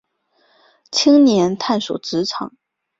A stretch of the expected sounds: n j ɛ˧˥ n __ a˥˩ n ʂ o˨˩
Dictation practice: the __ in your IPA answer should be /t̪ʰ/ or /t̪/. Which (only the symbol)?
t̪ʰ